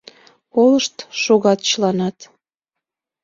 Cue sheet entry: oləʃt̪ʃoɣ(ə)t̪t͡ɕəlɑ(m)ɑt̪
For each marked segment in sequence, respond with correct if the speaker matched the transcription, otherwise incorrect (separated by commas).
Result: incorrect, incorrect